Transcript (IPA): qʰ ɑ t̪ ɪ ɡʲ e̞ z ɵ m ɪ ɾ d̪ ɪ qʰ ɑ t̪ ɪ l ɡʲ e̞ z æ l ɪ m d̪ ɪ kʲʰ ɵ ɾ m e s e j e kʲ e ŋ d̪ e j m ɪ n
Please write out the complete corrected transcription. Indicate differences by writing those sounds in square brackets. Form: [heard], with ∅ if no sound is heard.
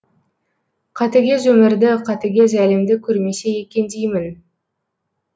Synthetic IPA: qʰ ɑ t̪ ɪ ɡʲ e̞ z ɵ m ɪ ɾ d̪ ɪ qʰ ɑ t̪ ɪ [∅] ɡʲ e̞ z æ l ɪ m d̪ ɪ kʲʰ ɵ ɾ m e s e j e kʲ e [n] d̪ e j m ɪ n